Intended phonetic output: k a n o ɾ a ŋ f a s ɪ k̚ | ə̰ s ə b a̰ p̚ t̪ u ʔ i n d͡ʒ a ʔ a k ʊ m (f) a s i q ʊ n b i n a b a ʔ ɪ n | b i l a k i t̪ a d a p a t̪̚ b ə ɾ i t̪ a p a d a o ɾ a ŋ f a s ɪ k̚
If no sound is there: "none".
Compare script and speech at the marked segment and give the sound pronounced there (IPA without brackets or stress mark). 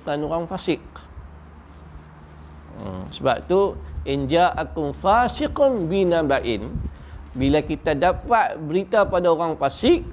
f